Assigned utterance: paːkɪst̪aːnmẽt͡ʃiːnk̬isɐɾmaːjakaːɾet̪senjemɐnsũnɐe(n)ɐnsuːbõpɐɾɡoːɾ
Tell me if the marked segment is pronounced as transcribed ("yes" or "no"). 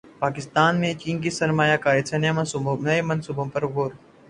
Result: no